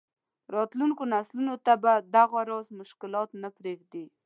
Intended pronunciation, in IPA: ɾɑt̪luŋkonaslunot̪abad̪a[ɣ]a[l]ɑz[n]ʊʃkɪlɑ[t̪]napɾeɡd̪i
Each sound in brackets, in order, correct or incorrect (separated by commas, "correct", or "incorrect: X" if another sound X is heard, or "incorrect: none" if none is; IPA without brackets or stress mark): correct, incorrect: ɾ, incorrect: m, correct